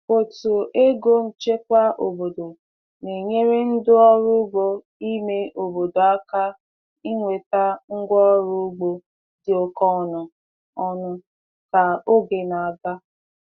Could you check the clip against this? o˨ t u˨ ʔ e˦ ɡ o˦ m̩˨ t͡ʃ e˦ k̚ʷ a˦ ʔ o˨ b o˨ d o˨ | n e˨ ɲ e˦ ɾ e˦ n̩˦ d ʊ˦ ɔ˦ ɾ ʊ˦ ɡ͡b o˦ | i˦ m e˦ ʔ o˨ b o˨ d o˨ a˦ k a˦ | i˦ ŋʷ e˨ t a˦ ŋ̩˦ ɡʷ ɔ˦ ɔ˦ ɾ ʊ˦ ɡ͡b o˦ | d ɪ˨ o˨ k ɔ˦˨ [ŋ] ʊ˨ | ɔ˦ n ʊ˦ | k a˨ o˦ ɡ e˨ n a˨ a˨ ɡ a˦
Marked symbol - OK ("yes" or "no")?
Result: no